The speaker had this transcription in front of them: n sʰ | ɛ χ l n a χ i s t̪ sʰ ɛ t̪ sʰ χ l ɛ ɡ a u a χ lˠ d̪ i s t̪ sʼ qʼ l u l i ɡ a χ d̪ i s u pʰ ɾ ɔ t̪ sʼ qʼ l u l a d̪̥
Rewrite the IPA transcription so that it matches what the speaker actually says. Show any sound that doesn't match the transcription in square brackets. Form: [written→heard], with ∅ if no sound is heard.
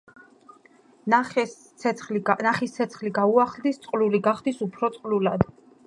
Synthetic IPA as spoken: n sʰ | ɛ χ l n a χ i s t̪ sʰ ɛ t̪ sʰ χ l [ɛ→i] ɡ a u a χ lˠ d̪ i s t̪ sʼ qʼ l u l i ɡ a χ d̪ i s u pʰ ɾ ɔ t̪ sʼ qʼ l u l a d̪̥